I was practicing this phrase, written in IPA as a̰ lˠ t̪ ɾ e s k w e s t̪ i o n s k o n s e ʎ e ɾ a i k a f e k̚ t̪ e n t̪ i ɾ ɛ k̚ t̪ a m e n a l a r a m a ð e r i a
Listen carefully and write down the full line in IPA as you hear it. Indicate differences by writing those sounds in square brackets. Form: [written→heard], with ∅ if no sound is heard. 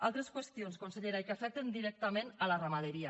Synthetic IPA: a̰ lˠ t̪ ɾ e s k w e s t̪ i o n s k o n s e ʎ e ɾ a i k a f [e→ɛ] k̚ t̪ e n [t̪→d̪] i ɾ ɛ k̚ t̪ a m e n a l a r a m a ð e [r→ɾ] i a